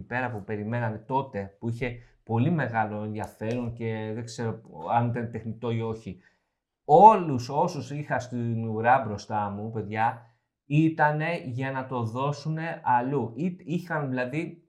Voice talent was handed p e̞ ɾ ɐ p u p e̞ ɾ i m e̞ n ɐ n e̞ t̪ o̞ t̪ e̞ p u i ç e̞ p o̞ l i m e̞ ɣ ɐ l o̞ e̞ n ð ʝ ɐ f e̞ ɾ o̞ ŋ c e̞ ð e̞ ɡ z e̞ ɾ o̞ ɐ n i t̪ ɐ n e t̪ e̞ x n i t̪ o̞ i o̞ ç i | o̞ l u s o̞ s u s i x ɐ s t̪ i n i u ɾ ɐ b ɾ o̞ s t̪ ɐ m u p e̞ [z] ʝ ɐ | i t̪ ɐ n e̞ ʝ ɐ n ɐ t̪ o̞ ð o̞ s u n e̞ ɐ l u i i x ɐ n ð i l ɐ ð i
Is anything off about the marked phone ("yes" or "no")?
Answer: yes